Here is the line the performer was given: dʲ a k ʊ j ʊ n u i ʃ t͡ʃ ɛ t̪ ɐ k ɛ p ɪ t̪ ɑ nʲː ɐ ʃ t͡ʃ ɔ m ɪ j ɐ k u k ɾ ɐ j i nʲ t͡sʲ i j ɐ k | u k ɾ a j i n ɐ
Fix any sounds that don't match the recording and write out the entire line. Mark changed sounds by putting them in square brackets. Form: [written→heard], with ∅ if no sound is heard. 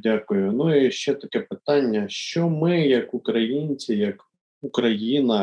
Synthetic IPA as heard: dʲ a k ʊ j ʊ n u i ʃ t͡ʃ ɛ t̪ ɐ k ɛ p ɪ t̪ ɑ nʲː ɐ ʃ t͡ʃ ɔ m ɪ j ɐ k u k ɾ ɐ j i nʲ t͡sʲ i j ɐ k | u k ɾ [a→ɐ] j i n ɐ